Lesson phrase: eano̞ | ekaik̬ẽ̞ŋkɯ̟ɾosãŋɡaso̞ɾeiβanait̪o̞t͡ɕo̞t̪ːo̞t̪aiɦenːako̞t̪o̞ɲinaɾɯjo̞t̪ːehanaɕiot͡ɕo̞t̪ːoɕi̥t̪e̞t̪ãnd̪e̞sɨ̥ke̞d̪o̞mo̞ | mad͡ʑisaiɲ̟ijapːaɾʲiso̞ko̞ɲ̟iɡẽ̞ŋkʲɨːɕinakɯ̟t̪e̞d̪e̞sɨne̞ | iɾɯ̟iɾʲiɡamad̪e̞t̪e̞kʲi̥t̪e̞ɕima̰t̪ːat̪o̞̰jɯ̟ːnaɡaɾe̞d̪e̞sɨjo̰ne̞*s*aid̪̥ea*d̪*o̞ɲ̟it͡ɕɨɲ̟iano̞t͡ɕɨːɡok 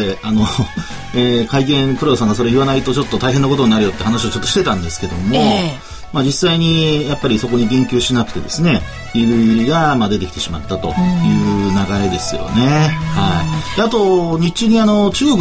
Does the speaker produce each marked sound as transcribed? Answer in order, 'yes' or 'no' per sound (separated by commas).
no, no